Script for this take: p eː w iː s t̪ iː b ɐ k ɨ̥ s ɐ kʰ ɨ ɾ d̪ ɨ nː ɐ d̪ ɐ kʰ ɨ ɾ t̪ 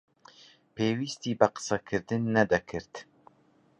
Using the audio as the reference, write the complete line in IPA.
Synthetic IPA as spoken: p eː w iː s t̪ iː b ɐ q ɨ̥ s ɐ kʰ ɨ ɾ d̪ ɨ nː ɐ d̪ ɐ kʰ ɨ ɾ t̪